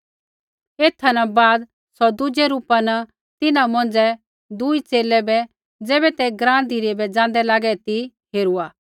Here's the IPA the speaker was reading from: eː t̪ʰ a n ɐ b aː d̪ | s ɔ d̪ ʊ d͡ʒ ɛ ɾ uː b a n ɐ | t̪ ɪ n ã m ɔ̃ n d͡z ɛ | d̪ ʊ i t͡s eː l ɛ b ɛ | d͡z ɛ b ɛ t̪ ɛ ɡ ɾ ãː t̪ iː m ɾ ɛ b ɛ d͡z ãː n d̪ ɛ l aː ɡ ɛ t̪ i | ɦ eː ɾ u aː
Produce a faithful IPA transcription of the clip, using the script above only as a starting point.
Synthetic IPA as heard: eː t̪ʰ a n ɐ b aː d̪ | s ɔ d̪ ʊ d͡ʒ ɛ ɾ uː p a n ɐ | t̪ ɪ n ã m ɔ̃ n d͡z ɛ | d̪ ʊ i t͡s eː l ɛ b ɛ | d͡z ɛː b ɛ t̪ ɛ ɡ ɾ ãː d̪ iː ɾ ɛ b ɛ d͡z ãː n d̪ ɛ l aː ɡ ɛ t̪ i | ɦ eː ɾ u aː